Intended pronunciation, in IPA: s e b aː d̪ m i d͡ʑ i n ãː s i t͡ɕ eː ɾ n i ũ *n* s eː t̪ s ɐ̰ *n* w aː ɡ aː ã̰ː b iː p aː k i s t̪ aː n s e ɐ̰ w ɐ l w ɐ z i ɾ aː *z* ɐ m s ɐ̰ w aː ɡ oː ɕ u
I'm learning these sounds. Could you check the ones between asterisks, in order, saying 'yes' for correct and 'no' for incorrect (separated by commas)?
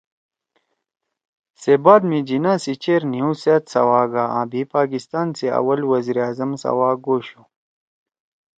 no, no, yes